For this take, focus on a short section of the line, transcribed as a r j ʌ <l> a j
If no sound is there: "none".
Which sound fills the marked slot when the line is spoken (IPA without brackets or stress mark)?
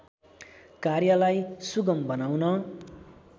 l